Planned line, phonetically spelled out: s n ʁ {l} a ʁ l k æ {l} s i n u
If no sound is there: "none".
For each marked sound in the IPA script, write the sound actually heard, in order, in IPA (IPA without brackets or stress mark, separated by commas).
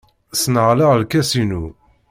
l, none